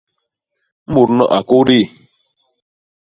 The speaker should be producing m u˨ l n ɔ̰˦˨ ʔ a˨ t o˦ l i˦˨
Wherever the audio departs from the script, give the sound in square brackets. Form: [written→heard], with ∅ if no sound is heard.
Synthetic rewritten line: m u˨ [l→ɾ] n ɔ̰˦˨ ʔ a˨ [t→k] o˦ [l→ɾ] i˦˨